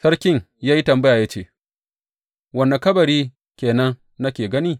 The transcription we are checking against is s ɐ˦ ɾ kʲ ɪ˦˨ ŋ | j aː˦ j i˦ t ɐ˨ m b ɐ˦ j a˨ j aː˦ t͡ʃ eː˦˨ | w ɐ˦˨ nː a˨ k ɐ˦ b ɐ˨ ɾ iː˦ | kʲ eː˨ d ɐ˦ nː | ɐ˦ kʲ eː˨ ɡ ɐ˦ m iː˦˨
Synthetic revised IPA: s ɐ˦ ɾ kʲ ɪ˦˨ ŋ | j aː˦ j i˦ t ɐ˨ m b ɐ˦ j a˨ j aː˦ t͡ʃ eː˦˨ | w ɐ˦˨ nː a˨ k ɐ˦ b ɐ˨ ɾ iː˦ | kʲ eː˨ n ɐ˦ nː | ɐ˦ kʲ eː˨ ɡ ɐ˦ n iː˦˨